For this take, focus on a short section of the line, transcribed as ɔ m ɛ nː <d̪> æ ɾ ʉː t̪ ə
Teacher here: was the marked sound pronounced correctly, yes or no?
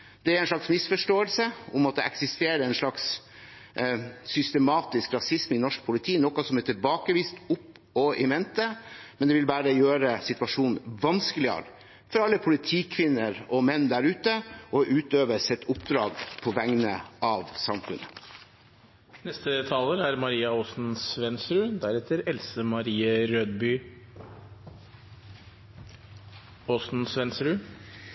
yes